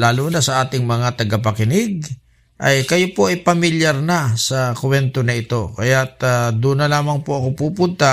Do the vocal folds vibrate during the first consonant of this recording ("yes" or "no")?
yes